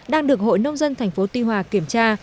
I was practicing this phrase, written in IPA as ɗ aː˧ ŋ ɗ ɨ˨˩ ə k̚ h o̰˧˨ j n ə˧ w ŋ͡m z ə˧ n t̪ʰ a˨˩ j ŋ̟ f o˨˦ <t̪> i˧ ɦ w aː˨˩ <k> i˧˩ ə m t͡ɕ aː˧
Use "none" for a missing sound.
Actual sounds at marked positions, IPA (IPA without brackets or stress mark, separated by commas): t̪, k